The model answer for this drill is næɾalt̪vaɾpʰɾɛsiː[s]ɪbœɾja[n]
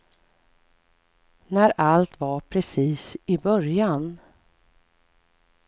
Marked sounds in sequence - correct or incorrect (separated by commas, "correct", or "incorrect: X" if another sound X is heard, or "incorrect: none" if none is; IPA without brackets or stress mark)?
correct, correct